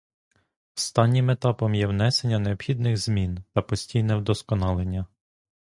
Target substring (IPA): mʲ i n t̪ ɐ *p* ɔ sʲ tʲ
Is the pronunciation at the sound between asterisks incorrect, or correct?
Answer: correct